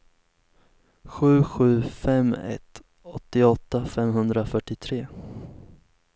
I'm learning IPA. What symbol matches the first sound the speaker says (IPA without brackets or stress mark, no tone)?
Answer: ɧ